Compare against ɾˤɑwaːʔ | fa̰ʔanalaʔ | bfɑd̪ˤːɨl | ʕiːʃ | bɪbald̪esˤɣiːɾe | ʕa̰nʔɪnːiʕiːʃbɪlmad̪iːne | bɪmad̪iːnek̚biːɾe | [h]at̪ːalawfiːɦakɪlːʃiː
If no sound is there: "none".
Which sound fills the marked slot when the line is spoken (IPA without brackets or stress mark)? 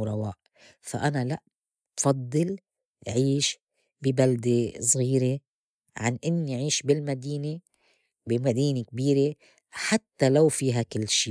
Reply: ħ